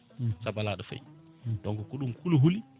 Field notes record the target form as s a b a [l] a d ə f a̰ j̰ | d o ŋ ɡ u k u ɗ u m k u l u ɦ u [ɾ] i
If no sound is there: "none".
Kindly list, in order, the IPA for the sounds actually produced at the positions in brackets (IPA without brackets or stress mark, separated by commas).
l, l